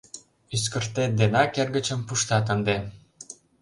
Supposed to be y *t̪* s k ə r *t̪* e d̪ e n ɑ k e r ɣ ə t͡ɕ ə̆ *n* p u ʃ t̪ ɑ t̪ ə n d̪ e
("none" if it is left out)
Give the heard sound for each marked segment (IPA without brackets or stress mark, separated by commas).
none, t̪, m